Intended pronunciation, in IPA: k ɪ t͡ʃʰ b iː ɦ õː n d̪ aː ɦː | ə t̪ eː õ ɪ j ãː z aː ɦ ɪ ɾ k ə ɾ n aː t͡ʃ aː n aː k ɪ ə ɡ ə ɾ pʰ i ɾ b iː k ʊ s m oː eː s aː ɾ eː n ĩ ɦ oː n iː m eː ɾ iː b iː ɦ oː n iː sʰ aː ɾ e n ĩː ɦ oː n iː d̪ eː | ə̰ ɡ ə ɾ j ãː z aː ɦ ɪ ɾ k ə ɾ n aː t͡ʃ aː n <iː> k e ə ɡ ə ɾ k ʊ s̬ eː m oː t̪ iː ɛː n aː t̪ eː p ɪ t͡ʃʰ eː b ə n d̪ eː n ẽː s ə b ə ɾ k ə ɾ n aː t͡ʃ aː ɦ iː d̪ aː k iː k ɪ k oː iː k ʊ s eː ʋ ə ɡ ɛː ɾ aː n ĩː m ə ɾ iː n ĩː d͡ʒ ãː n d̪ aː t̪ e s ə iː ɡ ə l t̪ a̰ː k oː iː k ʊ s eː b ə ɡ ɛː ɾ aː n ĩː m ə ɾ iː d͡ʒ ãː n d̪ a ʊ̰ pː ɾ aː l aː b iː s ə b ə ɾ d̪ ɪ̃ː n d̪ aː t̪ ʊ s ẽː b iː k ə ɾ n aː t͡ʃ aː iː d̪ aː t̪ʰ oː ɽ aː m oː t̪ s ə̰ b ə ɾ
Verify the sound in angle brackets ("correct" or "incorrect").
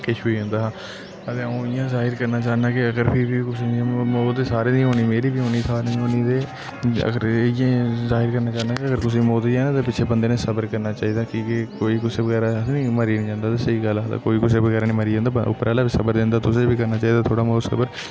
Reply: incorrect